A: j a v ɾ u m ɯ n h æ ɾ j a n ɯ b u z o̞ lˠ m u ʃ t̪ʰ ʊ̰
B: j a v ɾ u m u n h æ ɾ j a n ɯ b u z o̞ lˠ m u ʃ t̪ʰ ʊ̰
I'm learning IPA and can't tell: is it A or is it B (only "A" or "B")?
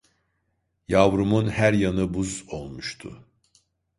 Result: B